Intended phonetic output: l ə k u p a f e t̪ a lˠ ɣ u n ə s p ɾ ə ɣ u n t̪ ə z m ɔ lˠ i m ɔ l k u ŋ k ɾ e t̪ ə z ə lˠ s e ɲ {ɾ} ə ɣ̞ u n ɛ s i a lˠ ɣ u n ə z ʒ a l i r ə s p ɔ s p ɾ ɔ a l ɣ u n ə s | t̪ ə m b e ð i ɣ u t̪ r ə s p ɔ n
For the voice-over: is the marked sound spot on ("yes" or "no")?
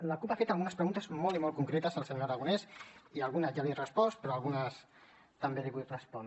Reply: yes